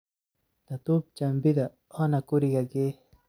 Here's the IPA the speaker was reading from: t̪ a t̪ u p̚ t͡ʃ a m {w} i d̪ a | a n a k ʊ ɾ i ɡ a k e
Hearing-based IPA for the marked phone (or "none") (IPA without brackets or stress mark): b